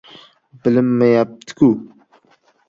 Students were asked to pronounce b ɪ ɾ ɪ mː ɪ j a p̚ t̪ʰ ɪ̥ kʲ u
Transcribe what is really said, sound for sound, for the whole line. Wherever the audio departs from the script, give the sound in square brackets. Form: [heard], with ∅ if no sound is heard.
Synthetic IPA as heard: b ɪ [l] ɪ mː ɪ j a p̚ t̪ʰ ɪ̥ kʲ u

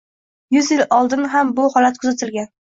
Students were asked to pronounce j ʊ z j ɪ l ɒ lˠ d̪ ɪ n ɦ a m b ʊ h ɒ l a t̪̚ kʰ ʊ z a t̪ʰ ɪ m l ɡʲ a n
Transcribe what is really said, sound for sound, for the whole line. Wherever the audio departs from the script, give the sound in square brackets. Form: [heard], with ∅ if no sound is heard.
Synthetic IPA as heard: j ʊ z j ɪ l ɒ lˠ d̪ ɪ n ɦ a m b ʊ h ɒ l a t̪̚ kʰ ʊ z a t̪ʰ ɪ [∅] l ɡʲ a n

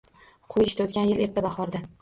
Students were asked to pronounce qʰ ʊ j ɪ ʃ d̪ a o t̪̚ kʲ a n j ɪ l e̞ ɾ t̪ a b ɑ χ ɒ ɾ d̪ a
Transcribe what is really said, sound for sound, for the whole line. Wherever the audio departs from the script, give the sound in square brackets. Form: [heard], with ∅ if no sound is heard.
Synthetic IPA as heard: qʰ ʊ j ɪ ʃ [t̪] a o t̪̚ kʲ a n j ɪ l e̞ ɾ t̪ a b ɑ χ ɒ ɾ d̪ a

